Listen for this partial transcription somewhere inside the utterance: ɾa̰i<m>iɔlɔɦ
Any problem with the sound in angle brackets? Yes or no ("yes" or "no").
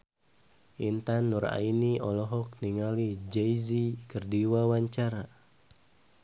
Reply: yes